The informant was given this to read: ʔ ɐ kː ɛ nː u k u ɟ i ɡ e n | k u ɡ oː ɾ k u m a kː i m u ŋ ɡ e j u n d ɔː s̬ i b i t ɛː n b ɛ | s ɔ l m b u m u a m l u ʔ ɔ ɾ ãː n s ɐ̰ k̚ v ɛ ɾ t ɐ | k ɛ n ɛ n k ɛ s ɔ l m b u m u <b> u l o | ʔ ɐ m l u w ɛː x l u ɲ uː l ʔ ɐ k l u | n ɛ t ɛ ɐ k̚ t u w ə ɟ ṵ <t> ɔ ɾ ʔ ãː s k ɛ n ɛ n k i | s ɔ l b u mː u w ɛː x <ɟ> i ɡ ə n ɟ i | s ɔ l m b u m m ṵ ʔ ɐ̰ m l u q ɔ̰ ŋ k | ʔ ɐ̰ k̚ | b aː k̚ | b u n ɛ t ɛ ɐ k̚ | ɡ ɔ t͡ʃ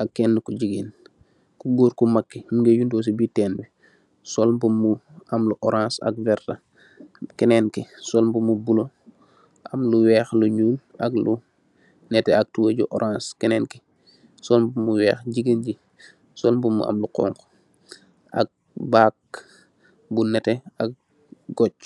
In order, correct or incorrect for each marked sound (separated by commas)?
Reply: correct, incorrect, correct